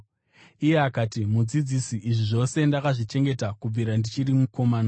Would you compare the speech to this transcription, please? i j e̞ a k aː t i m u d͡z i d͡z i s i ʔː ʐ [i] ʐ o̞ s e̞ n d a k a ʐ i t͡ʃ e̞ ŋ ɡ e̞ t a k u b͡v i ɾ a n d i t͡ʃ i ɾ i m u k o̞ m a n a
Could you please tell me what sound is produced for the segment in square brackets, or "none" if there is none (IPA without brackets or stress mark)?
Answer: i